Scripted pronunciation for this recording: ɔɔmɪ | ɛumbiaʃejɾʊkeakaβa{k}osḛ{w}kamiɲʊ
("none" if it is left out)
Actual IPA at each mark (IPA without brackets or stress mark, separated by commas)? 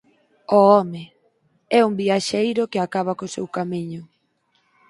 k, w